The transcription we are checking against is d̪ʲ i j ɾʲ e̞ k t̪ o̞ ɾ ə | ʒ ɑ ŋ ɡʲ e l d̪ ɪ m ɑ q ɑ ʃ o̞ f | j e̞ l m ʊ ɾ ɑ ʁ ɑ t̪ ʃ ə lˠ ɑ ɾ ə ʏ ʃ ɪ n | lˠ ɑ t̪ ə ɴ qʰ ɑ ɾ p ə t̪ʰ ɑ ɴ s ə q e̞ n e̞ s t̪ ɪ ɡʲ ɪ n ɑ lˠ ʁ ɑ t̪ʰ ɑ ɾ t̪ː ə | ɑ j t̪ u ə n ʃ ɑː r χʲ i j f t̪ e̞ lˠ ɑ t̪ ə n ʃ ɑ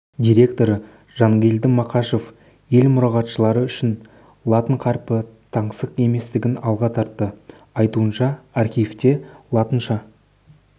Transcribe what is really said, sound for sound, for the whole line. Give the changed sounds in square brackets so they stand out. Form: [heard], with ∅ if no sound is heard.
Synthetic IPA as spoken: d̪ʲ i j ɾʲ e̞ k t̪ o̞ ɾ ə | ʒ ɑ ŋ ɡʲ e l d̪ ɪ m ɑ q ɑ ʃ o̞ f | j e̞ l m ʊ ɾ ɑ ʁ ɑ t̪ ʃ ə lˠ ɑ ɾ ə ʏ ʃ ɪ n | lˠ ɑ t̪ ə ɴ qʰ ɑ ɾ p ə t̪ʰ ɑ ɴ s ə q e̞ [m] e̞ s t̪ ɪ ɡʲ ɪ n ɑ lˠ ʁ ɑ t̪ʰ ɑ ɾ t̪ː ə | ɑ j t̪ u ə n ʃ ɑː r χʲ i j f t̪ e̞ lˠ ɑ t̪ ə n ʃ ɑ